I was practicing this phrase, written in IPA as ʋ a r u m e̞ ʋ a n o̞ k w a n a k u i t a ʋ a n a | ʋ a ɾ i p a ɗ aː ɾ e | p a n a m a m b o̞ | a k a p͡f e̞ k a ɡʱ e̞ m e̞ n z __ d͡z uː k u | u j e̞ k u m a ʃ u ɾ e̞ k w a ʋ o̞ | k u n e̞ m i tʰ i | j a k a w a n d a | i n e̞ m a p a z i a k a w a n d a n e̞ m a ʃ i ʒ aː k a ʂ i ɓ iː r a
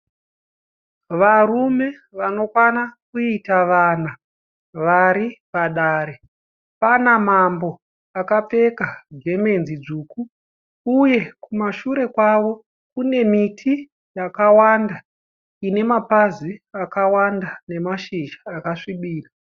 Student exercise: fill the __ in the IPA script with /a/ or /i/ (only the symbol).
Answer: i